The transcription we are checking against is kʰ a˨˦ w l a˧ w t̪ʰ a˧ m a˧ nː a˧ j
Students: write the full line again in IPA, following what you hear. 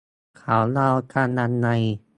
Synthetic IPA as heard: kʰ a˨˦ w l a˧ w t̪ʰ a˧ n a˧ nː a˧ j